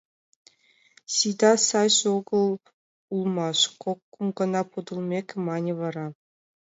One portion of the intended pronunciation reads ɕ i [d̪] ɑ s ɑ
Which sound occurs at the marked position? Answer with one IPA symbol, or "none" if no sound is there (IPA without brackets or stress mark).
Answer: d̪